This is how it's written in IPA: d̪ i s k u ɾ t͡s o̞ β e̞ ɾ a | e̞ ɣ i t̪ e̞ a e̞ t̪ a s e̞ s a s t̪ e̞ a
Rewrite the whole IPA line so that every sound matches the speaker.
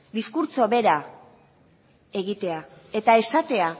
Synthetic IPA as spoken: d̪ i s k u ɾ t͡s o̞ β e̞ ɾ a | e̞ ɣ i t̪ e̞ a e̞ t̪ a e̞ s a t̪ e̞ a